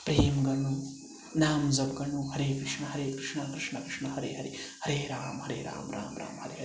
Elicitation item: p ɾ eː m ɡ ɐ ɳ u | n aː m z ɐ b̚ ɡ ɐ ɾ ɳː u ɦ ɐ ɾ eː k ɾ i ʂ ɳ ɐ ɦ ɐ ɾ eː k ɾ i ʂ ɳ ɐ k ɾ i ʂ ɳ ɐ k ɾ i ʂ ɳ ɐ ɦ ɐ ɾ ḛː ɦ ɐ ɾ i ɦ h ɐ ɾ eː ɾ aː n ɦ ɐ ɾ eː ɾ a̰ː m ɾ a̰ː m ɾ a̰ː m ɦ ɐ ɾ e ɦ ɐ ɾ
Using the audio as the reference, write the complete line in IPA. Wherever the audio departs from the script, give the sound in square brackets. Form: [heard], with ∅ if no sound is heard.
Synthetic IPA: p ɾ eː m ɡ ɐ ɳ u | n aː m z ɐ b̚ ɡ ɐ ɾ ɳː u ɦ ɐ ɾ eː k ɾ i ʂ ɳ ɐ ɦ ɐ ɾ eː k ɾ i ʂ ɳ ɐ k ɾ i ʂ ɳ ɐ k ɾ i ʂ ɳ ɐ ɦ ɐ ɾ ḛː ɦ ɐ ɾ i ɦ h ɐ ɾ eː ɾ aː [m] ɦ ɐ ɾ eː ɾ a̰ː m ɾ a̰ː m ɾ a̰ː m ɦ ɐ ɾ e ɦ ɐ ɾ